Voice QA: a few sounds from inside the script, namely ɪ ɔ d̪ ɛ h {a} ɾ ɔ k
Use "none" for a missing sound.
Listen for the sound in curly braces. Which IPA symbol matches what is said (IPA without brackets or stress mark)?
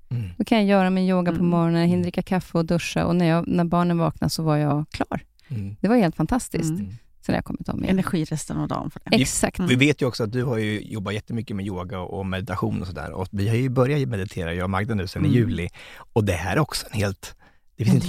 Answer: æ